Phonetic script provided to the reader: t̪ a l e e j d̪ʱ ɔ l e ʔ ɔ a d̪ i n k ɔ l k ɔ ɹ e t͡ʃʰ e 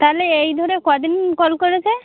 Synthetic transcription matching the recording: t̪ a l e e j d̪ʱ ɔ ɾ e k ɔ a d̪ i n k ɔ l k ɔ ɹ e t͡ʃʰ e